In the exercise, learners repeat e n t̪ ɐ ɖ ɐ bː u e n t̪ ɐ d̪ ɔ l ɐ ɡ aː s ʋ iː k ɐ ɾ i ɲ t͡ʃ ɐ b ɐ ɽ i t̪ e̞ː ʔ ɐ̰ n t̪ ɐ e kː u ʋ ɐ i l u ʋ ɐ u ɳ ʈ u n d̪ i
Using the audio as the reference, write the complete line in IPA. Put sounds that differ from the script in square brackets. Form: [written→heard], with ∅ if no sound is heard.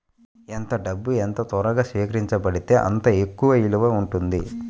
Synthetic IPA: e n t̪ ɐ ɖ ɐ bː u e n t̪ ɐ [d̪→t̪] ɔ [l→ɾ] ɐ ɡ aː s ʋ iː k ɐ ɾ i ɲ t͡ʃ ɐ b ɐ ɽ i t̪ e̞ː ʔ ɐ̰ n t̪ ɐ e kː u ʋ ɐ i l u ʋ ɐ u ɳ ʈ u n d̪ i